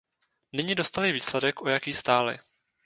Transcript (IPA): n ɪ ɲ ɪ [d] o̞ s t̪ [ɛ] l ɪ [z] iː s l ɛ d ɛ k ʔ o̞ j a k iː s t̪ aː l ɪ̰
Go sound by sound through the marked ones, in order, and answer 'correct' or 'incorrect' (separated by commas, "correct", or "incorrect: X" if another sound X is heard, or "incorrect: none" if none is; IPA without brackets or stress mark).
correct, incorrect: a, incorrect: v